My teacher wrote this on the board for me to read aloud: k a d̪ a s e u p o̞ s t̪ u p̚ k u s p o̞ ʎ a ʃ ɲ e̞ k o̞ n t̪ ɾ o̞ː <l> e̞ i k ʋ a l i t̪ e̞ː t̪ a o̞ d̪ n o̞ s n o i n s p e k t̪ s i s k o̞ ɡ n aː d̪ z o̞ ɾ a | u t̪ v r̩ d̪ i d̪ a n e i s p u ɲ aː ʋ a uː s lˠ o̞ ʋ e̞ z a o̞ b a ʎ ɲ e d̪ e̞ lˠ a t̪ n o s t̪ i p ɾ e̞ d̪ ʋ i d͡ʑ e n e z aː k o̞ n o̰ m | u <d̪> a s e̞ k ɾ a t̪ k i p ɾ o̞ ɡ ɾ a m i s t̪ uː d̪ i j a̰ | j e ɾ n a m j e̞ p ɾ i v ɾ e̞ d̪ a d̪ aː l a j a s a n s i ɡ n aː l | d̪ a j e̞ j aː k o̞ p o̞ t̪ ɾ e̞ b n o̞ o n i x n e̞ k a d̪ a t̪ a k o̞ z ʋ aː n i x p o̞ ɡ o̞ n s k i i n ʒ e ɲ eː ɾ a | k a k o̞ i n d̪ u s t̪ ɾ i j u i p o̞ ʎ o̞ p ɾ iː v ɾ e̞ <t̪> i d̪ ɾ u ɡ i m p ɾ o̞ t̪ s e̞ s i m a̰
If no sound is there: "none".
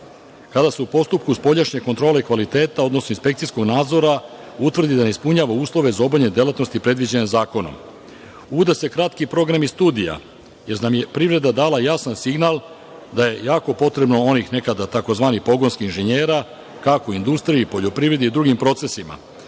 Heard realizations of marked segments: l, d̪, d̪

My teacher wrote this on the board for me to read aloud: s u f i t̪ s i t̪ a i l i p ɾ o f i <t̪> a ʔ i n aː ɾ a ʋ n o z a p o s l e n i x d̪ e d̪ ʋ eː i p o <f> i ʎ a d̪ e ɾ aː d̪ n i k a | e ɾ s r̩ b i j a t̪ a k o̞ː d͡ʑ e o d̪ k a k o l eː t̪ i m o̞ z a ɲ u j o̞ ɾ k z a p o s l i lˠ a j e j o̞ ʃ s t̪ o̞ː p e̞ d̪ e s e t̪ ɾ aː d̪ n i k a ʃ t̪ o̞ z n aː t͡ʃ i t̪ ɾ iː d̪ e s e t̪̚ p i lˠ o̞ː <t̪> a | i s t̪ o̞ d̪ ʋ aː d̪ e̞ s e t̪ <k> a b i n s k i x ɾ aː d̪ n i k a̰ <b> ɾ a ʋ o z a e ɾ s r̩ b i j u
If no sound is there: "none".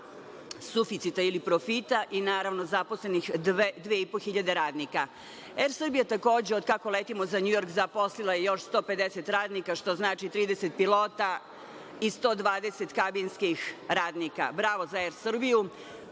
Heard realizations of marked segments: t̪, x, t̪, k, b

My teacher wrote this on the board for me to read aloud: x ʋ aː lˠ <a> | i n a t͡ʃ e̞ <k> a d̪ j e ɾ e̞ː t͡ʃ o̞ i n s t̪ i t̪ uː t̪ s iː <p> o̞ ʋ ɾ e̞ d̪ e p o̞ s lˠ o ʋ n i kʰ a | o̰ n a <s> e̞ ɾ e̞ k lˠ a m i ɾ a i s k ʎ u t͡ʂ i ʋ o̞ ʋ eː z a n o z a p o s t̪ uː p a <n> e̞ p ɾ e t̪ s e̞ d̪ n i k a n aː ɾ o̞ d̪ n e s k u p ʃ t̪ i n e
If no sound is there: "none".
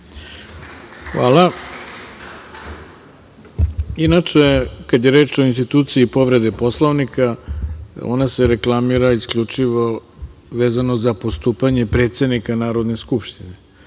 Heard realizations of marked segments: a, k, p, s, ɲ

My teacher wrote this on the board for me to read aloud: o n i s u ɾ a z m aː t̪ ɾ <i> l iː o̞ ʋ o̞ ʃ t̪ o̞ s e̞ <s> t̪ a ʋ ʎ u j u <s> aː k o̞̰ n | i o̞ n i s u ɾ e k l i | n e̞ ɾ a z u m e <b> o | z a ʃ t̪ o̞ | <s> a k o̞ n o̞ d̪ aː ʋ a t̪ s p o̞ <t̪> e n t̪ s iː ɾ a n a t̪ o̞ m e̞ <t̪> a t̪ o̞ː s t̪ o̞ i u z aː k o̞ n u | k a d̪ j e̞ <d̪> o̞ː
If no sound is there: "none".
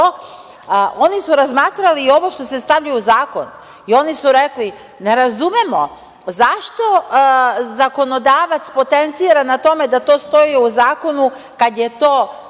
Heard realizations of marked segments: a, s, z, m, z, t̪, d̪, t̪

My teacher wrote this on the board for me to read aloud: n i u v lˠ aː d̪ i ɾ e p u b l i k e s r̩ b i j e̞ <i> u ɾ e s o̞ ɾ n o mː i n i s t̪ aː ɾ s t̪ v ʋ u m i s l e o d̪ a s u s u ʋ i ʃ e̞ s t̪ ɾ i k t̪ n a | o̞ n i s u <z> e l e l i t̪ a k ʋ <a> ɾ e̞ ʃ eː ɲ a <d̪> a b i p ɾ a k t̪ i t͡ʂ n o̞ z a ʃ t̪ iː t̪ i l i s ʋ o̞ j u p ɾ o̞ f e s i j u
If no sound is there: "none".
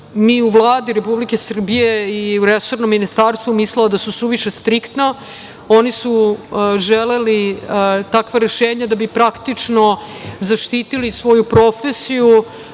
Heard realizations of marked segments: i, ʒ, a, d̪

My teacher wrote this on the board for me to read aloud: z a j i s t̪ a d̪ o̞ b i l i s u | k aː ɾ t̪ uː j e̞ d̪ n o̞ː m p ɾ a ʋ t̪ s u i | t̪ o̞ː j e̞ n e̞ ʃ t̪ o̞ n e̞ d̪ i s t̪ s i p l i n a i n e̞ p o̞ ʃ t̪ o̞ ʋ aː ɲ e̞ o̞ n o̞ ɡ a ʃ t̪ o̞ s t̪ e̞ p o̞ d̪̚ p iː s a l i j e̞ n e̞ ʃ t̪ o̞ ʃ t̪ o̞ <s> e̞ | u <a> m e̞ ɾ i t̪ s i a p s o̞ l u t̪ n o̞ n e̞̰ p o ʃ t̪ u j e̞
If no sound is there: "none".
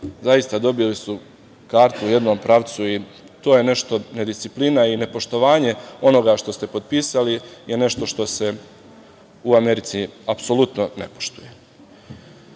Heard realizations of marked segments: s, a

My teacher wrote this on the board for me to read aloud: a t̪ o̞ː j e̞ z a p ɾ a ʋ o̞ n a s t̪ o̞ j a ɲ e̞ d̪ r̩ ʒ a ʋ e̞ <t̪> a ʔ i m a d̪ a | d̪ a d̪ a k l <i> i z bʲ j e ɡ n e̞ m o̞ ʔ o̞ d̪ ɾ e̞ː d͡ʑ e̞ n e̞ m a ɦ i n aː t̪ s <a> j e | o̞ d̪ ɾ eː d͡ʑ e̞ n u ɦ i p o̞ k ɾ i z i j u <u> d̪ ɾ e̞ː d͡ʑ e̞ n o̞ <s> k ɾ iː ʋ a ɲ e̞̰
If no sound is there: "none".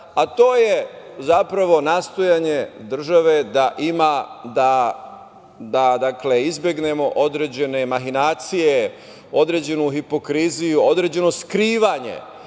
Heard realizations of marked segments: d̪, e, i, o, s

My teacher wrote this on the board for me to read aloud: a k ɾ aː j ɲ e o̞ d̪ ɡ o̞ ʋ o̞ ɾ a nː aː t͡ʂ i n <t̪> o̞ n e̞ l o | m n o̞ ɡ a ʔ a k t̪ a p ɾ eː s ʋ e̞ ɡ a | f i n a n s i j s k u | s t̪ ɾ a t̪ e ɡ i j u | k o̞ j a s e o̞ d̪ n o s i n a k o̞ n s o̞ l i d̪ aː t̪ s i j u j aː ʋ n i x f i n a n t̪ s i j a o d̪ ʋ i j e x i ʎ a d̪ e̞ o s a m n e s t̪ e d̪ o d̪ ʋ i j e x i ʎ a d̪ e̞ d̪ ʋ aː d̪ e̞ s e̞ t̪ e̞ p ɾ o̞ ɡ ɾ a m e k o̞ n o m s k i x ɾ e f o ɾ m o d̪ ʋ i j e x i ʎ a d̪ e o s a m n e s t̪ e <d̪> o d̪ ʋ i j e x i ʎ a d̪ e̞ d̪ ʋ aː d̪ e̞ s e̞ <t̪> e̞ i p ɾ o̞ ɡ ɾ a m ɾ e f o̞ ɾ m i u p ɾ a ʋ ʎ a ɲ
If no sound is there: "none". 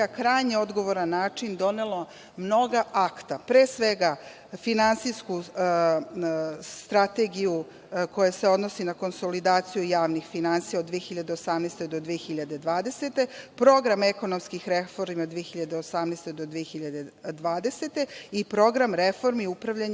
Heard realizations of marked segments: d̪, d̪, t̪

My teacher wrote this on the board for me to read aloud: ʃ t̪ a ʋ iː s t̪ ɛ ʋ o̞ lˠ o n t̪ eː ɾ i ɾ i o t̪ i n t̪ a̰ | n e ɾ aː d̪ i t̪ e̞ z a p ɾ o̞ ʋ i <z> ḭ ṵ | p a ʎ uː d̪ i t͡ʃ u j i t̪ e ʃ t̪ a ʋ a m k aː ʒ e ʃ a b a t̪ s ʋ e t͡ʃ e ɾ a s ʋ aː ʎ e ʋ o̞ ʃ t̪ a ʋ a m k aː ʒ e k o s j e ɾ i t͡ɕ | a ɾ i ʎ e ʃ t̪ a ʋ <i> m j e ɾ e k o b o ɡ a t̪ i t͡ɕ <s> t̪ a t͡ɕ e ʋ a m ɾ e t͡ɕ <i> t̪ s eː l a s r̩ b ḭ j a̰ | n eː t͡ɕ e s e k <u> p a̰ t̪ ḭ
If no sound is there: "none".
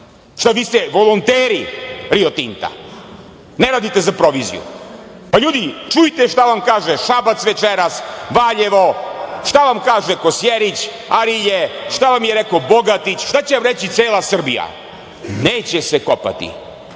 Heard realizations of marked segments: z, a, ʃ, i, o

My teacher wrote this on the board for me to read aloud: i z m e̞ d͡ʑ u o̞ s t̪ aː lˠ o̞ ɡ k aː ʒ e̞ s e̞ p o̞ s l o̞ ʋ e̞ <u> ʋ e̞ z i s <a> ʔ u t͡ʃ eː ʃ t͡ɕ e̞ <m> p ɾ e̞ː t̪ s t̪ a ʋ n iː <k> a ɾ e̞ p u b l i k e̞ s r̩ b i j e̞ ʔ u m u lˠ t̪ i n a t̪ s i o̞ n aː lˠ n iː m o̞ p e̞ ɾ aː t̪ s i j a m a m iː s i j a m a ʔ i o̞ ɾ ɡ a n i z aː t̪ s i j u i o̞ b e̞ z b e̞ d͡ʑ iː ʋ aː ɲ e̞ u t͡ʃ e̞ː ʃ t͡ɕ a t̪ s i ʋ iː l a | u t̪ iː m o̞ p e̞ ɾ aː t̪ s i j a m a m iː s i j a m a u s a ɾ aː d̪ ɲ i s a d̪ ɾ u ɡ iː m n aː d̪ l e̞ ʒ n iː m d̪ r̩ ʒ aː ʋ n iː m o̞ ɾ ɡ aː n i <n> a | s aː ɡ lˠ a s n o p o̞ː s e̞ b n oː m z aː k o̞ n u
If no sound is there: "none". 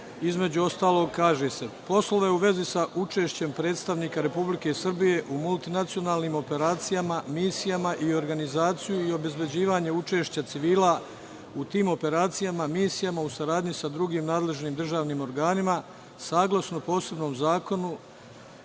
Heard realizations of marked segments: u, a, m, k, m

